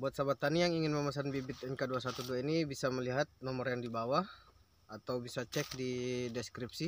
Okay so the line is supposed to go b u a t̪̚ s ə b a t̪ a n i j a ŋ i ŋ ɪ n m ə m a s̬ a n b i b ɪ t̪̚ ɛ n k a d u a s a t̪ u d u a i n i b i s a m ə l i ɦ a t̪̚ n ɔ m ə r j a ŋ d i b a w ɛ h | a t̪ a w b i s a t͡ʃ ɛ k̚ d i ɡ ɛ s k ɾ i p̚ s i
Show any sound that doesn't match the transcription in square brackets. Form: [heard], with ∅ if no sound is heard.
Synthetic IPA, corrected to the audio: b u a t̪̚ s [a] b a t̪ a n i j a ŋ i ŋ ɪ n m ə m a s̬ a n b i b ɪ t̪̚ ɛ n k a d u a s a t̪ u d u a i n i b i s a m ə l i ɦ a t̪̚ n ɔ m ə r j a ŋ d i b a w [a] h | a t̪ a w b i s a t͡ʃ ɛ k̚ d i [d] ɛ s k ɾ i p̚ s i